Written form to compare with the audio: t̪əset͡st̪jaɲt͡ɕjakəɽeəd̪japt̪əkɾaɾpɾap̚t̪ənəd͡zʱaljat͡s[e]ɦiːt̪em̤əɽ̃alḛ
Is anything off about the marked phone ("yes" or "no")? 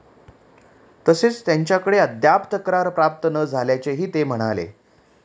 no